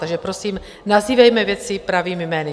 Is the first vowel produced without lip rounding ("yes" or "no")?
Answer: yes